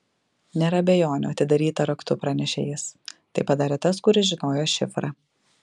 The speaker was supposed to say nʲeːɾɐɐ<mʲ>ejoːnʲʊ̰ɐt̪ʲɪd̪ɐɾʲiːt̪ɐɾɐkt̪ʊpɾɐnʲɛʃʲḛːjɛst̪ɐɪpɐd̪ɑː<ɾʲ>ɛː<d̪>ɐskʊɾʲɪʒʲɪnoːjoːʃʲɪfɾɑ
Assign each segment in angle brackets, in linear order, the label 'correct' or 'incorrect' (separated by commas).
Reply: incorrect, correct, incorrect